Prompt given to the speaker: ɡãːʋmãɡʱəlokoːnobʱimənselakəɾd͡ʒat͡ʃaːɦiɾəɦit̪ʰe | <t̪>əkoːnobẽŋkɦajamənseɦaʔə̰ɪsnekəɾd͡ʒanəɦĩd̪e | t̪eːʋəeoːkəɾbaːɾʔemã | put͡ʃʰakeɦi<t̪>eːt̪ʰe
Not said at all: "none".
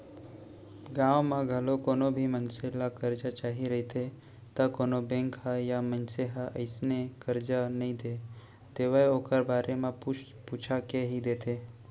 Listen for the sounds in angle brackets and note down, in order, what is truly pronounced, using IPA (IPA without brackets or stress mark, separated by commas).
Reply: t̪, d̪